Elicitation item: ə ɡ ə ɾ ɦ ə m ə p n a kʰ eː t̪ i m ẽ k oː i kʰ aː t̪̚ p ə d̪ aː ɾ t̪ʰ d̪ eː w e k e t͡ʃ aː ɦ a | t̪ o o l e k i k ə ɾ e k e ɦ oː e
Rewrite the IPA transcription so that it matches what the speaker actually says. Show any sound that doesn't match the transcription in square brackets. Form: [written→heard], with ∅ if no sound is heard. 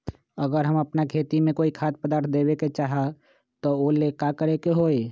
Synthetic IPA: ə ɡ ə ɾ ɦ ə m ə p n a kʰ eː t̪ i m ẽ k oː i kʰ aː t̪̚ p ə d̪ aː ɾ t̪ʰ d̪ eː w e k e t͡ʃ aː ɦ a | t̪ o o l e k [i→a] k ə ɾ e k e ɦ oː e